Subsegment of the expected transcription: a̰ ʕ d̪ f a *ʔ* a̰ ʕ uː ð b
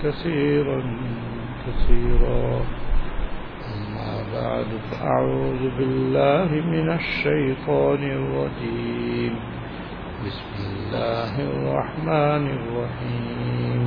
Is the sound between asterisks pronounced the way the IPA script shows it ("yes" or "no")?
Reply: yes